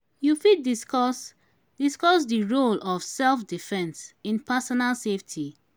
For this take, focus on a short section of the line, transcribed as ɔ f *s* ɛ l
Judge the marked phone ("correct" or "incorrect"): correct